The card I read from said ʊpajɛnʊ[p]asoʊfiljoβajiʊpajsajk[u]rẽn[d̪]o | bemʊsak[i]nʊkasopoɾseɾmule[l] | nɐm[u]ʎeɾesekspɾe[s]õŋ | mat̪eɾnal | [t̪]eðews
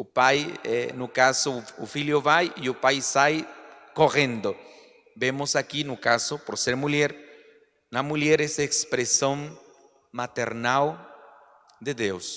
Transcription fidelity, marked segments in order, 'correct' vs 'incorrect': incorrect: k, incorrect: o, correct, correct, incorrect: ɾ, correct, correct, incorrect: d̪

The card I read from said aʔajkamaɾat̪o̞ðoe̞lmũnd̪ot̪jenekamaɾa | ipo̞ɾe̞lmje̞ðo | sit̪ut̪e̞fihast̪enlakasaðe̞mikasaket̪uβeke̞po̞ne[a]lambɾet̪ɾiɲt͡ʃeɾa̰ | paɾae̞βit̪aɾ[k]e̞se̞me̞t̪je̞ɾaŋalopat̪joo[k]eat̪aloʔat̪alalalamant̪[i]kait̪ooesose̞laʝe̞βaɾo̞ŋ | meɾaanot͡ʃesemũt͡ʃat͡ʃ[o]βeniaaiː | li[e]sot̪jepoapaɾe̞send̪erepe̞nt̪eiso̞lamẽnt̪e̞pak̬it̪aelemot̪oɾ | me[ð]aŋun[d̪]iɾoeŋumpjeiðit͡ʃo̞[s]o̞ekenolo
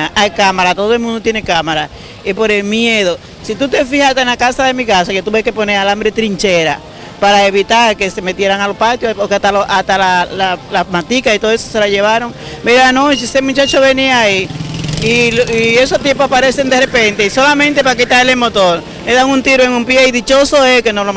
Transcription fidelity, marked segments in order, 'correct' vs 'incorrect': correct, correct, correct, correct, correct, correct, correct, incorrect: t̪, correct

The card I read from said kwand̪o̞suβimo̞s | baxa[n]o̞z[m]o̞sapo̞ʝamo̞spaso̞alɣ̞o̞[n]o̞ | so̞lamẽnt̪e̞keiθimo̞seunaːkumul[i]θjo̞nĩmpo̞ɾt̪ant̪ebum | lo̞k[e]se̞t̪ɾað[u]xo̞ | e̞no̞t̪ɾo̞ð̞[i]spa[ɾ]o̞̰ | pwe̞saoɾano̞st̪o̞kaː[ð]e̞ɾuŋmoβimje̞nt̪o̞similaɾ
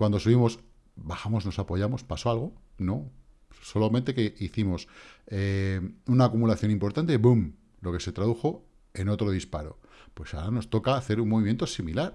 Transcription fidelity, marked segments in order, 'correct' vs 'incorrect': incorrect: m, incorrect: n, correct, incorrect: a, correct, correct, correct, correct, incorrect: θ

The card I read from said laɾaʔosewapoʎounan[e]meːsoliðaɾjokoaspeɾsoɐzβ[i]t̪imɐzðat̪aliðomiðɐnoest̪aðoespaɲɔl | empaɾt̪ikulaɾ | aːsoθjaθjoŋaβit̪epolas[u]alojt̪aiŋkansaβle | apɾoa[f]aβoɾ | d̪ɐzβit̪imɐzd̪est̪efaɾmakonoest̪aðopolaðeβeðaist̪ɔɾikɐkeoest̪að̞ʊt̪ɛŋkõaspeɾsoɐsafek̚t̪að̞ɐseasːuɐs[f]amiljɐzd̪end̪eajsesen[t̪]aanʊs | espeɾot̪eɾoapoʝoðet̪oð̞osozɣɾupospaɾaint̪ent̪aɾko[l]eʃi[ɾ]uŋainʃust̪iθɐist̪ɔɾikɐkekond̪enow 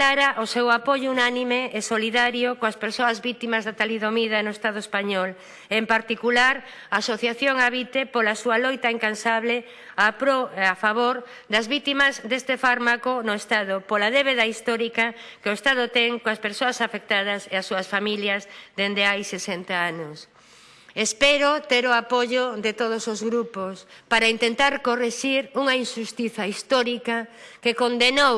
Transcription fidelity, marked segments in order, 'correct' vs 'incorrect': incorrect: i, correct, correct, correct, correct, correct, incorrect: r, correct

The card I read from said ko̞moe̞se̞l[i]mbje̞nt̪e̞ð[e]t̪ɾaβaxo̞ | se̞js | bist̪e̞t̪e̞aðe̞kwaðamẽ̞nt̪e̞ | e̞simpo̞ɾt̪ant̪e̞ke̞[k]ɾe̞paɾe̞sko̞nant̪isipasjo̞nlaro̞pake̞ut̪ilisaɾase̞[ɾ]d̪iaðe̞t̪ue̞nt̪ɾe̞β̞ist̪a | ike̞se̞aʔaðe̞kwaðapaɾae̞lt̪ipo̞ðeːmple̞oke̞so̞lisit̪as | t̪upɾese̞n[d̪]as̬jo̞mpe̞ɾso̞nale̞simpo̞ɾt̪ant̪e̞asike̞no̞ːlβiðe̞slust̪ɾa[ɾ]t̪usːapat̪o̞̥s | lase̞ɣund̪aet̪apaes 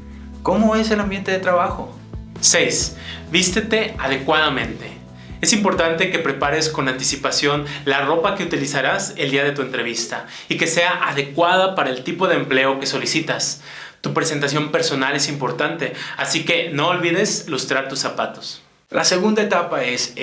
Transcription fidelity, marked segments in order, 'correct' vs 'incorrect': incorrect: a, correct, incorrect: p, incorrect: l, incorrect: t̪, correct

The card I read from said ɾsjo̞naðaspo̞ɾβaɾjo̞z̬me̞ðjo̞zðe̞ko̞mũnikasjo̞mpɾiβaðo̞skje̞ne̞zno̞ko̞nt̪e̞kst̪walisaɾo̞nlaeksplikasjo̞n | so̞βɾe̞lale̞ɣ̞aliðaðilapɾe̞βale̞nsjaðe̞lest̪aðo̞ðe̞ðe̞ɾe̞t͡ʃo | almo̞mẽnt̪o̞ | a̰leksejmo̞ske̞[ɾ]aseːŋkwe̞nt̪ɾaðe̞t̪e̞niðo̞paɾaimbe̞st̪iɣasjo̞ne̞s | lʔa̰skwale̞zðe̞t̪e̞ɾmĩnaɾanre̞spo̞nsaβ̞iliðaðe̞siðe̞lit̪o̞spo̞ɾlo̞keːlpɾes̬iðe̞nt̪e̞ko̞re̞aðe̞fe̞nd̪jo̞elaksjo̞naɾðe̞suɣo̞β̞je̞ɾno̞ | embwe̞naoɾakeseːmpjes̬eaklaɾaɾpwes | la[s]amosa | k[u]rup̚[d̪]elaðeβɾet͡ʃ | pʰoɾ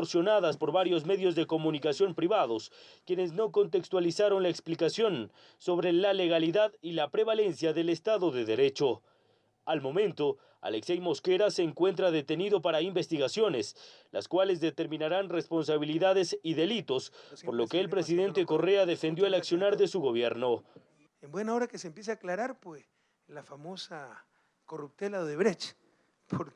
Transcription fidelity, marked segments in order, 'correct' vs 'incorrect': correct, incorrect: f, incorrect: o, incorrect: t̪

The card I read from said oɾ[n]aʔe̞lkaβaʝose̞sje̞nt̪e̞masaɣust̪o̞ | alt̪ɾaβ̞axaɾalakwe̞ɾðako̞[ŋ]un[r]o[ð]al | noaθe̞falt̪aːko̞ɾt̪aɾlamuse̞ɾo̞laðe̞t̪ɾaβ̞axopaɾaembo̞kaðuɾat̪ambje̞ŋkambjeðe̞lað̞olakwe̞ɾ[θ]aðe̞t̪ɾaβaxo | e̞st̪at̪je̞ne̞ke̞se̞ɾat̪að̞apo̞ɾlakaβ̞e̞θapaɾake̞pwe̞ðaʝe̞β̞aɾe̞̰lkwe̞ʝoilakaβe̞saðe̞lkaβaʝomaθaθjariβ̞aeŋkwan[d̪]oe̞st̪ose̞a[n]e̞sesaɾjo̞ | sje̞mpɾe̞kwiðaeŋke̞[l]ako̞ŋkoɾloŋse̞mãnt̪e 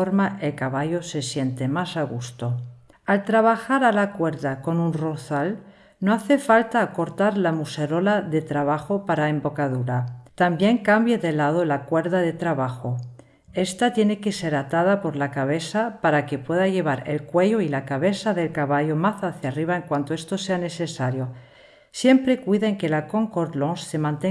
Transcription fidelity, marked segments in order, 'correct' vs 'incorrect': incorrect: m, incorrect: n, correct, incorrect: θ, incorrect: ð, incorrect: t̪, correct, correct

